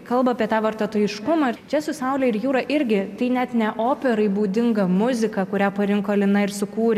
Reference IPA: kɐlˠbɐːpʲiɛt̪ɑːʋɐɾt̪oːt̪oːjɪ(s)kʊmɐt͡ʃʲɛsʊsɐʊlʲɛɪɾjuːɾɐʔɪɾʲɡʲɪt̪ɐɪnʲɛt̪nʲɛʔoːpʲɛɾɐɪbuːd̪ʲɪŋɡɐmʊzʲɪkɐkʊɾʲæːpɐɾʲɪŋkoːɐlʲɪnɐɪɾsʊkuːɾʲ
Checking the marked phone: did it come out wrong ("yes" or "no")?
yes